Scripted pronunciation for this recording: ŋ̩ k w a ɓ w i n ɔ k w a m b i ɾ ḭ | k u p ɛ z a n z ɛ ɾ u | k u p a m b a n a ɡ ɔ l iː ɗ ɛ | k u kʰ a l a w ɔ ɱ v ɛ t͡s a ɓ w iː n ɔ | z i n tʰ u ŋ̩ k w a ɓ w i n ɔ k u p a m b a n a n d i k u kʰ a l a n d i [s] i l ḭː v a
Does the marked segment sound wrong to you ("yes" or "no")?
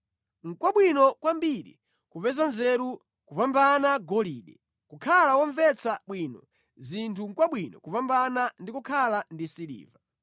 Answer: no